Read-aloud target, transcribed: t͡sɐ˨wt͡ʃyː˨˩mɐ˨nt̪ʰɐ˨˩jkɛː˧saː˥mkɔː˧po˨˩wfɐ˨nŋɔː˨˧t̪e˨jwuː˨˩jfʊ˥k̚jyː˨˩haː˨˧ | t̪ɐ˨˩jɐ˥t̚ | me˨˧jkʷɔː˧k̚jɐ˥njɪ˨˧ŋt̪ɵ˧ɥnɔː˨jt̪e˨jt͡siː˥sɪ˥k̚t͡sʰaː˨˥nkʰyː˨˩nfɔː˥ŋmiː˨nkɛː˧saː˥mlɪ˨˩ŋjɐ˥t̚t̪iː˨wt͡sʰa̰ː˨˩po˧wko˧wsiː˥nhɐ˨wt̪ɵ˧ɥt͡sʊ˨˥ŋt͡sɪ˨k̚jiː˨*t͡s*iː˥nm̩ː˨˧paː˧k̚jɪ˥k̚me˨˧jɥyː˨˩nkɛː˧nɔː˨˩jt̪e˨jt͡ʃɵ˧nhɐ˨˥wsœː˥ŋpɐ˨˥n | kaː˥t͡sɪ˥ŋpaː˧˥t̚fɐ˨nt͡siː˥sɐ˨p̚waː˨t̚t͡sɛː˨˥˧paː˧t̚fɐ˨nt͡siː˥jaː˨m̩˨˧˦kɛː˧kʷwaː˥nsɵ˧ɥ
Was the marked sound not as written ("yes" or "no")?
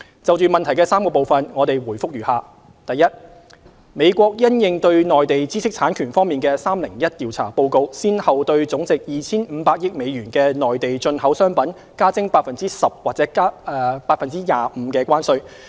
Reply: yes